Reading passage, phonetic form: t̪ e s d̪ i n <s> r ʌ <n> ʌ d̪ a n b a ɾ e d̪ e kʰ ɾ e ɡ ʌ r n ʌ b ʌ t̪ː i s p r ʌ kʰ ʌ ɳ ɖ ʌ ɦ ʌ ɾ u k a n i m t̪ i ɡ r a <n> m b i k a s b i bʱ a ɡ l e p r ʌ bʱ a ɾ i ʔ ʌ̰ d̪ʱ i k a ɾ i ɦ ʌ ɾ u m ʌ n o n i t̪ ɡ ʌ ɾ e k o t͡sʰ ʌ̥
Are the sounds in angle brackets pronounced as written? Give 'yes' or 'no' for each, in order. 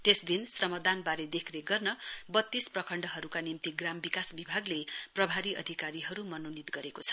yes, no, no

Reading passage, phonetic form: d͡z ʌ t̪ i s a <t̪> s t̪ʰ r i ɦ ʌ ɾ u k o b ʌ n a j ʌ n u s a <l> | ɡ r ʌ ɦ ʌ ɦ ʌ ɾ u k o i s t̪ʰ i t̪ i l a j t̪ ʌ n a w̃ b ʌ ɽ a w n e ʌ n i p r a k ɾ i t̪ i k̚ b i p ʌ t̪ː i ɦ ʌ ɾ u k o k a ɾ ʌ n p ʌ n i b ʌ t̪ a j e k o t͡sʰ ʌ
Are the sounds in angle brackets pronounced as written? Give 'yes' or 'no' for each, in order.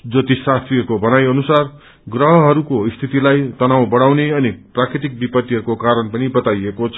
no, no

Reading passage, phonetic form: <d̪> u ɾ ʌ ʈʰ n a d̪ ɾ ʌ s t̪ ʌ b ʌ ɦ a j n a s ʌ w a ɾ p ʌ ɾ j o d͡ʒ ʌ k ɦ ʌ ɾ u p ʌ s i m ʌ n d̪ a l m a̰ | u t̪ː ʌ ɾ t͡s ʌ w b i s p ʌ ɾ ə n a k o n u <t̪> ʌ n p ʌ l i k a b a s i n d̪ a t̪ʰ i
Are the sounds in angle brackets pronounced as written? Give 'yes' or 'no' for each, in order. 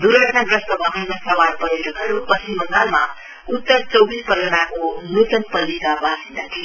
yes, yes

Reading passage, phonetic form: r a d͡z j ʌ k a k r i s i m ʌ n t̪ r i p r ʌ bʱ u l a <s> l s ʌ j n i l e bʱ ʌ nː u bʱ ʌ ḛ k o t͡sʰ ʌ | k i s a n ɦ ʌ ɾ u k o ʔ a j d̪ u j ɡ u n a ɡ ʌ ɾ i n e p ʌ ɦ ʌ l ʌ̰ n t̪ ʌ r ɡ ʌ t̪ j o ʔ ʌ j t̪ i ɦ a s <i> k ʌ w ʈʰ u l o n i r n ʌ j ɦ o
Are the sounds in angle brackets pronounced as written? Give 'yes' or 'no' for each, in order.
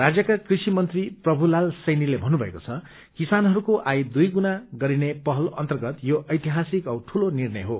no, yes

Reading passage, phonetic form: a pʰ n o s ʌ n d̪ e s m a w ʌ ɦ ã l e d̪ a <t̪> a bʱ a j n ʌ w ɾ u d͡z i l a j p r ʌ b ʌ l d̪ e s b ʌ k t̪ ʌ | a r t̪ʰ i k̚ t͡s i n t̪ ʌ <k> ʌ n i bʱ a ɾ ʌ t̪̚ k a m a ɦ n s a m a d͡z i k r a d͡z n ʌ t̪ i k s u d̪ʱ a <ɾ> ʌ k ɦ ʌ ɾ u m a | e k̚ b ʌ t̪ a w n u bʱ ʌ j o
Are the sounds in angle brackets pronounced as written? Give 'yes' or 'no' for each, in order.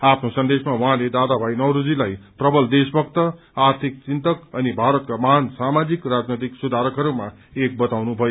no, yes, yes

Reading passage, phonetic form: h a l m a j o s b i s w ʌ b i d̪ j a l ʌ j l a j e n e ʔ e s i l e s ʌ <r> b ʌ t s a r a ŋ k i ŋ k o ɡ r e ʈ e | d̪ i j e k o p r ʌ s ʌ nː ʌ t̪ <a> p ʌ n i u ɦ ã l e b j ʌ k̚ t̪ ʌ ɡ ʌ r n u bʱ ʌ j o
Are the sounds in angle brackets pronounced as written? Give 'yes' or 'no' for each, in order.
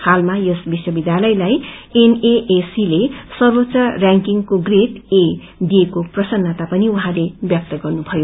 yes, yes

